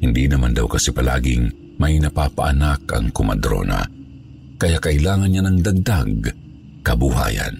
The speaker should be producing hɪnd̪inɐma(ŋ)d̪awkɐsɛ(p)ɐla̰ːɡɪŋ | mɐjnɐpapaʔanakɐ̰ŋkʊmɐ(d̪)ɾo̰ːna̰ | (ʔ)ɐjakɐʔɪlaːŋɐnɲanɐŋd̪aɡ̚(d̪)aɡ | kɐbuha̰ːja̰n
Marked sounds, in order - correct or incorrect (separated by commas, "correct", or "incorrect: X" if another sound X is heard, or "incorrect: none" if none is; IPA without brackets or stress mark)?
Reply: incorrect: n, correct, correct, incorrect: k, correct